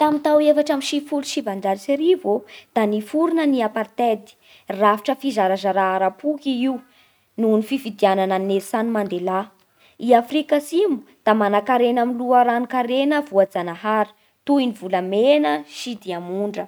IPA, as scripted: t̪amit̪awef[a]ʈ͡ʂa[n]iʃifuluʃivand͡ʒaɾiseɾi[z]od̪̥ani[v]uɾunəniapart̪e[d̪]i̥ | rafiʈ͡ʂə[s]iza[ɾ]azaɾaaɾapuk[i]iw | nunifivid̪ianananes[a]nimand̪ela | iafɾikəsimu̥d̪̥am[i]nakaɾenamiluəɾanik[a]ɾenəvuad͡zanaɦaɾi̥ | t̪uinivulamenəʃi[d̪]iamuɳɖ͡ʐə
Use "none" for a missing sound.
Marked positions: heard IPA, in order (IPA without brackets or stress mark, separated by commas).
a, m, v, f, d̪, f, ɾ, i, a, a, a, d̪